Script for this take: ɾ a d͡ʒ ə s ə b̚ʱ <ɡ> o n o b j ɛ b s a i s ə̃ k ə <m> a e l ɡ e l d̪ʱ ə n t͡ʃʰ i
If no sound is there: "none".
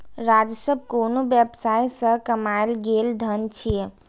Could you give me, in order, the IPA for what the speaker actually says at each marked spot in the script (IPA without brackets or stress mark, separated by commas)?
k, m